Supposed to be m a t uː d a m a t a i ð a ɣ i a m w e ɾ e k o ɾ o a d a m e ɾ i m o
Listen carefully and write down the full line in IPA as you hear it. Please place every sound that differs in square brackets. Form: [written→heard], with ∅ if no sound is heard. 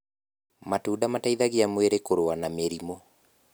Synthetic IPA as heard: m a t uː d a m a t a i ð a ɣ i a m w e ɾ e k o ɾ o a [d→n] a m e ɾ i m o